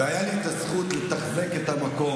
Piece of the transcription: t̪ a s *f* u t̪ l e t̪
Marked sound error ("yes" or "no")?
yes